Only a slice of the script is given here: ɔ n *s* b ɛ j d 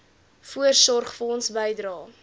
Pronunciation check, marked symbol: correct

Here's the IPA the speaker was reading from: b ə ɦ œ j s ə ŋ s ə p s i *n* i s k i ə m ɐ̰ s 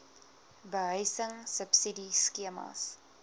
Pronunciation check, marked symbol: incorrect: d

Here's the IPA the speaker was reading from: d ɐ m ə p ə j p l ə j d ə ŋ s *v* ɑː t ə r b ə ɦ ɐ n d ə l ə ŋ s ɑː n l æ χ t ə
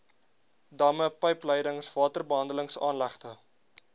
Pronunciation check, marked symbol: correct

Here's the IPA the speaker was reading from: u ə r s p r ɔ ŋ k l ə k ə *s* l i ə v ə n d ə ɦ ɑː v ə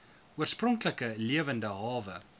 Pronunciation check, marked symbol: incorrect: none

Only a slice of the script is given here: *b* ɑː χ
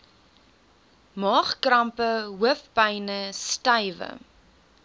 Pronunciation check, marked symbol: incorrect: m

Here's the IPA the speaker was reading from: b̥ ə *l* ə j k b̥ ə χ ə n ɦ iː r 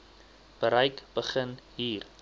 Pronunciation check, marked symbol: incorrect: ɾ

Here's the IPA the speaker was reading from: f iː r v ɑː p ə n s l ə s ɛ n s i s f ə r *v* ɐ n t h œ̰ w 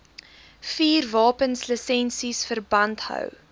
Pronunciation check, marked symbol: incorrect: b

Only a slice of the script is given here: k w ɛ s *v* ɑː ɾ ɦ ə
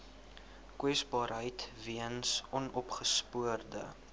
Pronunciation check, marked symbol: incorrect: b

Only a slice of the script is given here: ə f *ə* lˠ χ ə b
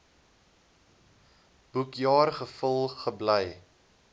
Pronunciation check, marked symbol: correct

